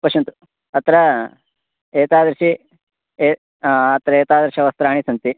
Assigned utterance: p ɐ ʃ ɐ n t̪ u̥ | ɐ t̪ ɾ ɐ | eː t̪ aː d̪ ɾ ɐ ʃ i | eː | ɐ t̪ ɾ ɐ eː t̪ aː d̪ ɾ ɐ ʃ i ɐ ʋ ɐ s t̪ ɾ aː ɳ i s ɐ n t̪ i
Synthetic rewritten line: p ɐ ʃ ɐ n t̪ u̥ | ɐ t̪ ɾ ɐ | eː t̪ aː d̪ ɾ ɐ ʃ i | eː | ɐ t̪ ɾ ɐ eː t̪ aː d̪ ɾ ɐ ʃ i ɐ ʋ ɐ s t̪ ɾ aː ɳ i s ɐ n t̪ i